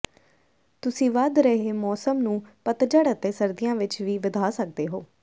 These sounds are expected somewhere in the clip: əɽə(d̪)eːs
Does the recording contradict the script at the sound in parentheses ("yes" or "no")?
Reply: yes